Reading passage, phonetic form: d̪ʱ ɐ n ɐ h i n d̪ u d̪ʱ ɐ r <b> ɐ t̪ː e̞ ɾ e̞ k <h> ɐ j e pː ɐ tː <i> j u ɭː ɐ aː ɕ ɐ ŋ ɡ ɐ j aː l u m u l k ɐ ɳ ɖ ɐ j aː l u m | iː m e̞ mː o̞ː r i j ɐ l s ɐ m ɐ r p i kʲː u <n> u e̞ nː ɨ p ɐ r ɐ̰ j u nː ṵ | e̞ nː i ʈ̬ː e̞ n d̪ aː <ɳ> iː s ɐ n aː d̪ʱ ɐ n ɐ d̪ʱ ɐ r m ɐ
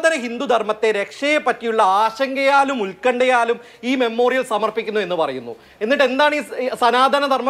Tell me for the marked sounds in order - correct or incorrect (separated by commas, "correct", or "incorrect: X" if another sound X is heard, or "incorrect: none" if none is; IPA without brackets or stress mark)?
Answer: incorrect: m, incorrect: ʂ, correct, incorrect: nː, correct